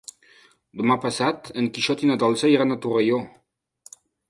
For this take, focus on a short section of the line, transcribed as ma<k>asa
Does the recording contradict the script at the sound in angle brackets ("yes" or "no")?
yes